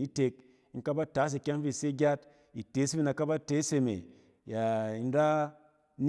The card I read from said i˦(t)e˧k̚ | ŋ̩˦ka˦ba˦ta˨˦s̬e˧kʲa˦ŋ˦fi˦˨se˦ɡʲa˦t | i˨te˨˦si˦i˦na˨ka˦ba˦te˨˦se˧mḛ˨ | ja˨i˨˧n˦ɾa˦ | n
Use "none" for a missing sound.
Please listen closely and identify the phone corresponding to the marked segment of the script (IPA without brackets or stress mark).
t